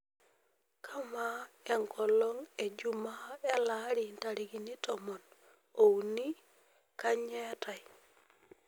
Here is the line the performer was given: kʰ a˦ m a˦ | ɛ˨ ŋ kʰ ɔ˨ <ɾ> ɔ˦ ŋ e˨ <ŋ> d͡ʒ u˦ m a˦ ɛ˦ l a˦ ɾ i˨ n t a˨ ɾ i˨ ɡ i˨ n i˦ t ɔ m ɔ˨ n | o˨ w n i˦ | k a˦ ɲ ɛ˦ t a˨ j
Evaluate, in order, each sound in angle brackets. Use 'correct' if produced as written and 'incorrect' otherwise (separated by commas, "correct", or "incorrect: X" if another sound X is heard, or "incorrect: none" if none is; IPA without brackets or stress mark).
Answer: incorrect: l, incorrect: none